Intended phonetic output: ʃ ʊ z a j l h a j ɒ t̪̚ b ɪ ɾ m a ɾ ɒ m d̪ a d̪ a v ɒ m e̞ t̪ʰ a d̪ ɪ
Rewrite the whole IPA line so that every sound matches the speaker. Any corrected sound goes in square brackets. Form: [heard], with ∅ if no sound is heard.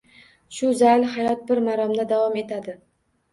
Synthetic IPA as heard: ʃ ʊ z a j l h a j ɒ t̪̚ b ɪ ɾ m a ɾ ɒ m d̪ a d̪ a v ɒ m e̞ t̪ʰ a d̪ ɪ